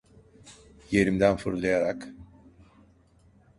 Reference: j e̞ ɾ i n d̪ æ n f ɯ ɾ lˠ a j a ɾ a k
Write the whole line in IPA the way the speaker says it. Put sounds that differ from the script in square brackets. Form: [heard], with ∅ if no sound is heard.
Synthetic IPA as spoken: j e̞ ɾ i [m] d̪ æ n f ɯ ɾ lˠ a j a ɾ a k